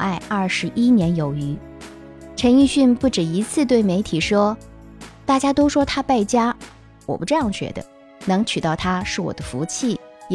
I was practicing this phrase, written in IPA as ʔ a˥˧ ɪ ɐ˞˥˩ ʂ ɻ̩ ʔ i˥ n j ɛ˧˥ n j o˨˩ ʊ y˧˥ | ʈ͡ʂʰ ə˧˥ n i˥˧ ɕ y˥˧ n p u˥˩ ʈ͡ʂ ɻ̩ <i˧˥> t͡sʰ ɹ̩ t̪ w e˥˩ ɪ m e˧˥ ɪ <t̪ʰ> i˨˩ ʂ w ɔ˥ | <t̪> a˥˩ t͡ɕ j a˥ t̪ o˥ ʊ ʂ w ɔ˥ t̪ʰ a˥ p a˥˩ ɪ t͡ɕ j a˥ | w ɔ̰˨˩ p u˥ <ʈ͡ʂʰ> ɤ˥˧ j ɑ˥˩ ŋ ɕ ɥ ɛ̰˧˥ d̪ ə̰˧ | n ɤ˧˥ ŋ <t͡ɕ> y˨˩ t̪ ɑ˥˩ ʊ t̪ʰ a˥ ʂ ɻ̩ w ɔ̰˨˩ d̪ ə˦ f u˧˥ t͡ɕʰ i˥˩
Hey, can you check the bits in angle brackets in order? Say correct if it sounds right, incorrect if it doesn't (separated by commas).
correct, correct, correct, incorrect, incorrect